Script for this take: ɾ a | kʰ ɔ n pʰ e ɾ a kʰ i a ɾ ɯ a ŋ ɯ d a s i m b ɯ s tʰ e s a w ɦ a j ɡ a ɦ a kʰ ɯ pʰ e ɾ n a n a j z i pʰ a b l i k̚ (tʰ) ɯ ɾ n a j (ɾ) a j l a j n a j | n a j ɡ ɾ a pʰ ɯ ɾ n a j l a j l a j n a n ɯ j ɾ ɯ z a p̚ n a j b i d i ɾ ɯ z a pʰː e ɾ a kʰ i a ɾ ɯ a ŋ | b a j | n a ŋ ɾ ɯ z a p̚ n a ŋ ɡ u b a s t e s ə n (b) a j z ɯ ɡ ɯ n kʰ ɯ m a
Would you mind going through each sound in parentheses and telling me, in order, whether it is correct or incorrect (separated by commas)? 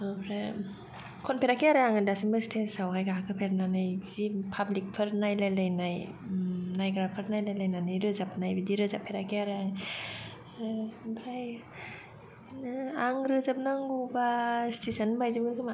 incorrect, incorrect, correct